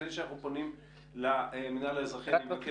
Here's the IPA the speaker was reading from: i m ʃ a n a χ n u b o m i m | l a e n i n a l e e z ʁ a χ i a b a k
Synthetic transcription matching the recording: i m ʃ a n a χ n u p o n i m | l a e m i n a l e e z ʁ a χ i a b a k